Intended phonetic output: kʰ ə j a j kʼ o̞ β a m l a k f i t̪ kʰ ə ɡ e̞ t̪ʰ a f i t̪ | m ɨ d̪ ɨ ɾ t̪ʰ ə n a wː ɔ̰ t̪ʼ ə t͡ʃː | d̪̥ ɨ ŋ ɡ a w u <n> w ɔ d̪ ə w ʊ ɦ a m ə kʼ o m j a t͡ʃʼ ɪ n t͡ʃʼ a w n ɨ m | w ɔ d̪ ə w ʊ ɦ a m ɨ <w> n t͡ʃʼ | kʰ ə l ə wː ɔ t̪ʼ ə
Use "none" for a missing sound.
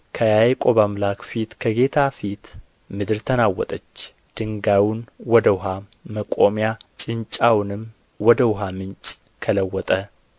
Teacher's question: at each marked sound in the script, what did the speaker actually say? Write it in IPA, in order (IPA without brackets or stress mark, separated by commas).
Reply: n, none